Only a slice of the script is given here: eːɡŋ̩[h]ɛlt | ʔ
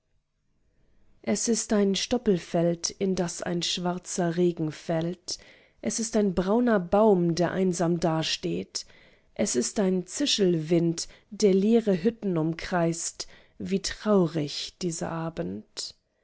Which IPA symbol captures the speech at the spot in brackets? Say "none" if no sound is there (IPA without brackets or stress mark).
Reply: f